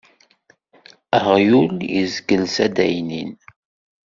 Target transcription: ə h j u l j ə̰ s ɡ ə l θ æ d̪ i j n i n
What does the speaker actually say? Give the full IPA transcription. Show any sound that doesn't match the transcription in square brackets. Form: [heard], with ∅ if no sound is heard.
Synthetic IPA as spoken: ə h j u l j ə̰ [z] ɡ ə l [s] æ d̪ [æ] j n i n